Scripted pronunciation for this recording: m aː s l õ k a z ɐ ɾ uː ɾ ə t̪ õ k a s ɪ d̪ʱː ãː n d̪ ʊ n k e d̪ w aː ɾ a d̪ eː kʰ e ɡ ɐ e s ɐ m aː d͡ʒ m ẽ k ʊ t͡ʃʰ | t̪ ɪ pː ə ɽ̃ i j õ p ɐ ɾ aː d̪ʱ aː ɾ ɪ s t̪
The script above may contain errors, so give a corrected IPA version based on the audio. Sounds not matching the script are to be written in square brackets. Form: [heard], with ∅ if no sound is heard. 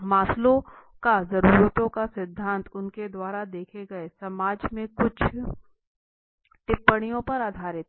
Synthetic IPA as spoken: m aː s l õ k a z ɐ ɾ uː ɾ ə t̪ õ k a s ɪ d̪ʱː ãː n [t̪] ʊ n k e d̪ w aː ɾ a d̪ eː kʰ e ɡ ɐ e s ɐ m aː d͡ʒ m ẽ k ʊ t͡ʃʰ | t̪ ɪ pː ə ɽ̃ i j õ p ɐ ɾ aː d̪ʱ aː ɾ ɪ [∅] t̪